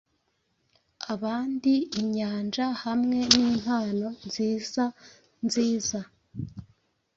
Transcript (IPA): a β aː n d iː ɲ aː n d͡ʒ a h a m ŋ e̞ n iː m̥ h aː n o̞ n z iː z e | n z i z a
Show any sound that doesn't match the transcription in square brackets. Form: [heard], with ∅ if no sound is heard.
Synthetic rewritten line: a β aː n d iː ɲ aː n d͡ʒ a h a m ŋ e̞ n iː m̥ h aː n o̞ n z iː z [a] | n z [iː] z a